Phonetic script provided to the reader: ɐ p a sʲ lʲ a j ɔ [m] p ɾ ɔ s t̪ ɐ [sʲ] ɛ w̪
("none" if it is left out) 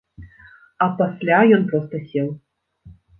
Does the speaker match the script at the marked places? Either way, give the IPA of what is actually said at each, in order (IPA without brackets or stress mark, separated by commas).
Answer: n, sʲ